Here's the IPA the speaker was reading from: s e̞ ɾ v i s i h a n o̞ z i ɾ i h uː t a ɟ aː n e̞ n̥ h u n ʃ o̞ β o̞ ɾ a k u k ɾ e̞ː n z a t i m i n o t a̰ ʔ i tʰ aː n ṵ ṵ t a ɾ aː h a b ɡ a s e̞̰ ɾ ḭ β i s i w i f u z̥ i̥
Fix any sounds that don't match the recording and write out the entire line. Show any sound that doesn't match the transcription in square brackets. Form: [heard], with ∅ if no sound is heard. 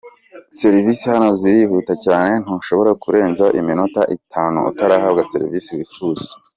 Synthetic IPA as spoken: s e̞ ɾ v i s i h a n o̞ z i ɾ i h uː t a [c] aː n e̞ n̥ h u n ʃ o̞ β o̞ ɾ a k u [∅] ɾ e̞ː n z a [ʔ] i m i n o t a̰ ʔ i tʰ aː n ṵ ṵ t a ɾ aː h a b ɡ a s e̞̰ ɾ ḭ [v] i s i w i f u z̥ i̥